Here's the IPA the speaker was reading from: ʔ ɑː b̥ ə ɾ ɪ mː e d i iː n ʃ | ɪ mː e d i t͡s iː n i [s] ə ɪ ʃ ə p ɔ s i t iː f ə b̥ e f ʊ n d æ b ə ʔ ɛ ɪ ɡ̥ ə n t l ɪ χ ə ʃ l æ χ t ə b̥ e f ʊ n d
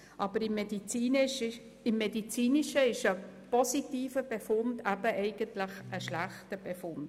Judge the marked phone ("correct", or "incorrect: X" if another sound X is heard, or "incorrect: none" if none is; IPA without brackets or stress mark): incorrect: ʃ